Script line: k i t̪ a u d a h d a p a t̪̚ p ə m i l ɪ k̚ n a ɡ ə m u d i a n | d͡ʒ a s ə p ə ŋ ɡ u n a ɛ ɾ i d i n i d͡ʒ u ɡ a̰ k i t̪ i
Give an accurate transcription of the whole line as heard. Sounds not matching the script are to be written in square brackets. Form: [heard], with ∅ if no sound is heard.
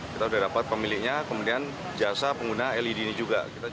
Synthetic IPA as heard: k i t̪ a u d a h d a p a t̪̚ p ə m i l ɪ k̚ [ɲ] a [k] ə m u d i a n | d͡ʒ a s [a] p ə ŋ ɡ u n a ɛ [l] i d i n i d͡ʒ u ɡ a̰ k i t̪ [a]